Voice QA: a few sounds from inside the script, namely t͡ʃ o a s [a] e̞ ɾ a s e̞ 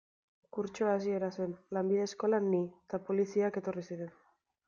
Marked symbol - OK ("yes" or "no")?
no